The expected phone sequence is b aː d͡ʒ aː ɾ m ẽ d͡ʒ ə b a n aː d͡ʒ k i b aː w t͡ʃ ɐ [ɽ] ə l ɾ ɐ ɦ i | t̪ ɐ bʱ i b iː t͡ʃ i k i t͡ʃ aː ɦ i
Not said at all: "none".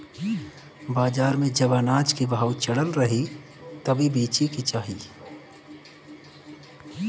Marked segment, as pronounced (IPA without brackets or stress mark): ɽ